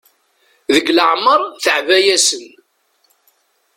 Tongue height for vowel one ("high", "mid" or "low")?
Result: mid